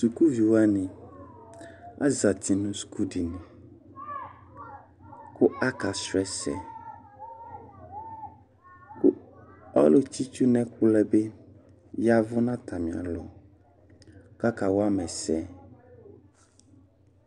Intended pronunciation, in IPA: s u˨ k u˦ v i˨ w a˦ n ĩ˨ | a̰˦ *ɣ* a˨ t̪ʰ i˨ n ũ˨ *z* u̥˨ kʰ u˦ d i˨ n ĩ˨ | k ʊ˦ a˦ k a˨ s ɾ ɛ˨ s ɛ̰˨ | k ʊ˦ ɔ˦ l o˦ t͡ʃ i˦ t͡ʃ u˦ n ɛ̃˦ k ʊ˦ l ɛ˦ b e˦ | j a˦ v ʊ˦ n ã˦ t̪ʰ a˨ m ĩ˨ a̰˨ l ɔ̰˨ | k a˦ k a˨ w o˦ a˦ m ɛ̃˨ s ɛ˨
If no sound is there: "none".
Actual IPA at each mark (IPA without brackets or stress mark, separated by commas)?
z, s